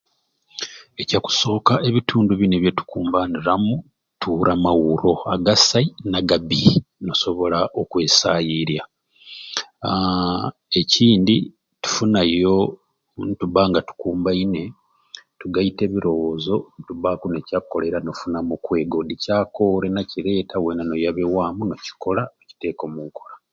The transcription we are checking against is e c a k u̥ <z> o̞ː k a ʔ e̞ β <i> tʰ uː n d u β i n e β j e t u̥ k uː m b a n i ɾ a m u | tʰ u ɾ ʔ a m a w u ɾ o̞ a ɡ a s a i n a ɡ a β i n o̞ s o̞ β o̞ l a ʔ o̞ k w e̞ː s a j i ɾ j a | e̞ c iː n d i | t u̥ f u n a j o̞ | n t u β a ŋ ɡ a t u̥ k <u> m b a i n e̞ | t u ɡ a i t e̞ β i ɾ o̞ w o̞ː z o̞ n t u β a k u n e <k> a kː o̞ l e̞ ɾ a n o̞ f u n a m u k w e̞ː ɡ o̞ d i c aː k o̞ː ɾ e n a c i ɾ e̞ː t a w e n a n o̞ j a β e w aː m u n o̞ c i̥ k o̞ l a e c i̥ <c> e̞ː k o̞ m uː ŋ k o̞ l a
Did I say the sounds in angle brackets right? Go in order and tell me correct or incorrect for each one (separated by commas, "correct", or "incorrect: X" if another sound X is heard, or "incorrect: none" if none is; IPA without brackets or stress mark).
incorrect: s, correct, incorrect: uː, incorrect: c, incorrect: t